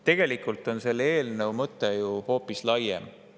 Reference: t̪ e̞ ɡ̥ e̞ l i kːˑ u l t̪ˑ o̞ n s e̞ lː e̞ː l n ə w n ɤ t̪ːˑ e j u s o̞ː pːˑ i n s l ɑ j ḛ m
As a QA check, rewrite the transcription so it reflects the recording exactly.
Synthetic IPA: t̪ e̞ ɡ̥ e̞ l i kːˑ u l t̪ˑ o̞ n s e̞ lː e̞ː l n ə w m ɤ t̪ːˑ e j u h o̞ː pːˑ i s l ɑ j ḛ m